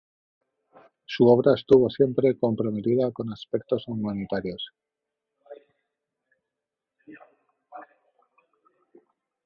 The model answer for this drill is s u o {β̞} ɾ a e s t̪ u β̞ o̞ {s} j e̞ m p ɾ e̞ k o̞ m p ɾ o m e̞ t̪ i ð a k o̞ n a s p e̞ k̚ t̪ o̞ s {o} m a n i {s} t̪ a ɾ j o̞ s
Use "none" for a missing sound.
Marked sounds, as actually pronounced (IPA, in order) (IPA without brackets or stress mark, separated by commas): β̞, s, u, none